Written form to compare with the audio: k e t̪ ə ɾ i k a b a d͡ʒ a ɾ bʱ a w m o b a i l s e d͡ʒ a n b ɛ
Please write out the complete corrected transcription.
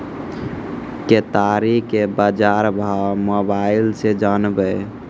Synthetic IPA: k e t̪ a ɾ i k e b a d͡ʒ a ɾ bʱ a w m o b a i l s e d͡ʒ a n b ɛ